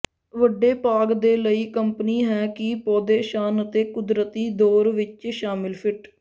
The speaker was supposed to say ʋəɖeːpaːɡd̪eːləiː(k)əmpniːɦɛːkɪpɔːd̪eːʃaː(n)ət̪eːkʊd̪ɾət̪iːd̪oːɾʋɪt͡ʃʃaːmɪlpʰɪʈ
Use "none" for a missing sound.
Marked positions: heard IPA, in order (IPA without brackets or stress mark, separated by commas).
k, n